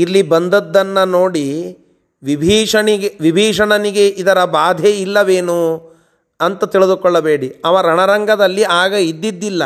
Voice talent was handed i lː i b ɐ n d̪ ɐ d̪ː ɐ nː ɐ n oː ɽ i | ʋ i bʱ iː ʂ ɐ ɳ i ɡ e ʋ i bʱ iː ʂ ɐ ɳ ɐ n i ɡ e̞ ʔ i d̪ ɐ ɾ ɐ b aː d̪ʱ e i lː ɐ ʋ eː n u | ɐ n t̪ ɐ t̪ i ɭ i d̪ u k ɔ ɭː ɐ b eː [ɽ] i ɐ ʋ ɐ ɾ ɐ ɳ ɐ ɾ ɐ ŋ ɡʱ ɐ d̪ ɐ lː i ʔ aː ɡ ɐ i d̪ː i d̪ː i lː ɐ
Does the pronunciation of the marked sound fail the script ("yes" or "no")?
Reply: no